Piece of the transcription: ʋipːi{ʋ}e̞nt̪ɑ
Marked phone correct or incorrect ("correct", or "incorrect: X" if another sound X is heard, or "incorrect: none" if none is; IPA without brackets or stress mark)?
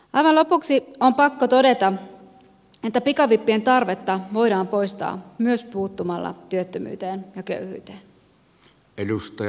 incorrect: none